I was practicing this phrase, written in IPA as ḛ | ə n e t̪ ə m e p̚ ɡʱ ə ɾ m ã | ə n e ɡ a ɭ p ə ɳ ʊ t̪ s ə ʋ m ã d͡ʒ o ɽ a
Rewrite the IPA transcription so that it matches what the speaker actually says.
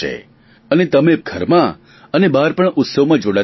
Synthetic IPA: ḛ | ə n e t̪ ə m e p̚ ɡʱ ə ɾ m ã | ə n e b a ɾ p ə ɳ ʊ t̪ s ə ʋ m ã d͡ʒ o ɽ a